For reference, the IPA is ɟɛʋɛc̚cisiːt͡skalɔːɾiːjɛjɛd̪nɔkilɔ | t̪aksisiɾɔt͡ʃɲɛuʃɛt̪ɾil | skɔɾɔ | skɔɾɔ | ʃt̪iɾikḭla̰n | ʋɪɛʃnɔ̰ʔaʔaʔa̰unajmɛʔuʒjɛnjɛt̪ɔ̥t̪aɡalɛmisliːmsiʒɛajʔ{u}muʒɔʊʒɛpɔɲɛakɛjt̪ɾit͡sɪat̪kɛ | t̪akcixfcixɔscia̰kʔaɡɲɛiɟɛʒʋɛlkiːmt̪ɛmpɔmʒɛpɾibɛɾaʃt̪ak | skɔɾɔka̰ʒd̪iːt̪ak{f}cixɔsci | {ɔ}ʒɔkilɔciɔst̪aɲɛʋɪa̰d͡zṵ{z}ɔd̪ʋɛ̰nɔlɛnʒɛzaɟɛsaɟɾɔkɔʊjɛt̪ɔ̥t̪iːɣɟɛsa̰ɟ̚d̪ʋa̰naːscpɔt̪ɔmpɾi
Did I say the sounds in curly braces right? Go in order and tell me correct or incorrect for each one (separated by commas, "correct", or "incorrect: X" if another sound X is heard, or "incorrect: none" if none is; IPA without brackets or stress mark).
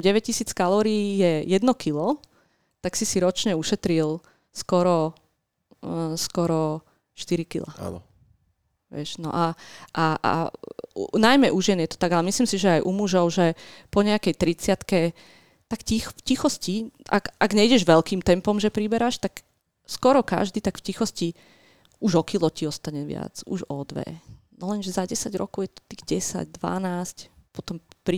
correct, correct, incorrect: u, incorrect: ʒ